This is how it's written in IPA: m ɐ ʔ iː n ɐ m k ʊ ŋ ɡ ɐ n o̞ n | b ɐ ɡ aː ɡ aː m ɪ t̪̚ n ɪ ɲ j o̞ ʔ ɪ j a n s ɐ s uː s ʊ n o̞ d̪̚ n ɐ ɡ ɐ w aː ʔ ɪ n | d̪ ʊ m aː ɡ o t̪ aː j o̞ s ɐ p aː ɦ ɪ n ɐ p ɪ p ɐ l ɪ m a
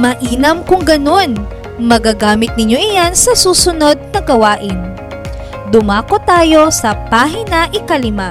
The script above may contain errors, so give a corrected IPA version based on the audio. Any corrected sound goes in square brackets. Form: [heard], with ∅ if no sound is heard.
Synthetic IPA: m ɐ ʔ iː n ɐ m k ʊ ŋ ɡ ɐ n o̞ n | [m] ɐ ɡ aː ɡ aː m ɪ t̪̚ n ɪ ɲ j o̞ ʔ ɪ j a n s ɐ s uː s ʊ n o̞ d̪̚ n ɐ ɡ ɐ w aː ʔ ɪ n | d̪ ʊ m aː [k] o t̪ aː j o̞ s ɐ p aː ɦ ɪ n ɐ [ʔ] ɪ [k] ɐ l ɪ m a